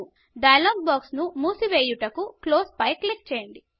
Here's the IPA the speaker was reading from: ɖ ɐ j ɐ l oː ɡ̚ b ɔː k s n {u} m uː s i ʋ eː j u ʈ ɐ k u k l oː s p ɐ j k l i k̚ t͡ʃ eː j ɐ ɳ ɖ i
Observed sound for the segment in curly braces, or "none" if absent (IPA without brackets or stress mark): u